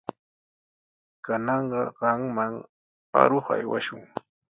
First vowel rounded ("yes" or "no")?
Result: no